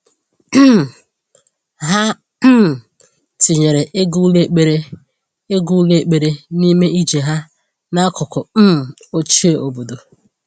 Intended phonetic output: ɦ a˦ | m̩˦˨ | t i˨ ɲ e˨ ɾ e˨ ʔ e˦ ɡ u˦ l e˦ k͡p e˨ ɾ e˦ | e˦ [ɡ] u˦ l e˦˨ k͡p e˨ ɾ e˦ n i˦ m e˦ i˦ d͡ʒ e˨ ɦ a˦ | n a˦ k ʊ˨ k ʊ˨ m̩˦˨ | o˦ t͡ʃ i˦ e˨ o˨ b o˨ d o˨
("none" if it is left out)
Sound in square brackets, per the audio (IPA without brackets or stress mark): ɡ